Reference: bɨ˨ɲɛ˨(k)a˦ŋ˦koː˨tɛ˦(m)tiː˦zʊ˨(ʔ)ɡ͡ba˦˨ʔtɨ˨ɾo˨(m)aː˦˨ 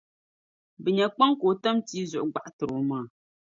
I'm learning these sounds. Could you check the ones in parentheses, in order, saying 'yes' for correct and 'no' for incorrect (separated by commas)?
no, yes, yes, yes